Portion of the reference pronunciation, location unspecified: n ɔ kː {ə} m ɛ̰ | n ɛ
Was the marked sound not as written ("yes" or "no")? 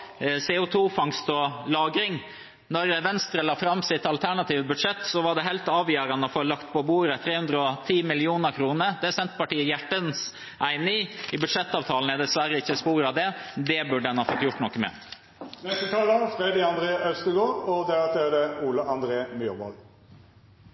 no